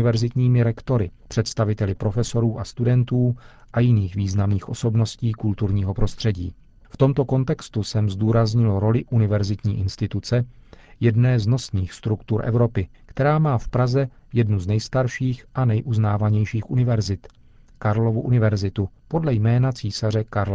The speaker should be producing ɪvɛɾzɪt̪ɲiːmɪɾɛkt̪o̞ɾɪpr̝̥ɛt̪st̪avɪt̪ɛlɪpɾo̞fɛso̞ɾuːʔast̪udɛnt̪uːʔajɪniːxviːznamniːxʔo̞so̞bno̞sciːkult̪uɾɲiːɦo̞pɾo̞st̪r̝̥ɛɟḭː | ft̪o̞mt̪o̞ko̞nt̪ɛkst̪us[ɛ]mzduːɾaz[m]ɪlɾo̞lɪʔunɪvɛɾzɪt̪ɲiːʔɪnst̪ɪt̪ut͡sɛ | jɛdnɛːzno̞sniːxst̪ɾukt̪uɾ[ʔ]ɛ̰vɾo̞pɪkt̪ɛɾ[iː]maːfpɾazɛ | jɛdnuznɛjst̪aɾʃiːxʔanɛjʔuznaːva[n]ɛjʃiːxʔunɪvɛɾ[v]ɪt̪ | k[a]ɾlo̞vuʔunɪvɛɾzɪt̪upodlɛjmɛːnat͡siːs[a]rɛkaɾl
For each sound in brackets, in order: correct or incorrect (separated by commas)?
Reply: correct, incorrect, correct, incorrect, incorrect, incorrect, correct, correct